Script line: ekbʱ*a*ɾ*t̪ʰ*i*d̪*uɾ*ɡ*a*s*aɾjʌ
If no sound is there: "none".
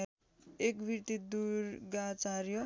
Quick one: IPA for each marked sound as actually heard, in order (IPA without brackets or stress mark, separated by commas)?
i, t̪, d̪, ɡ, t͡s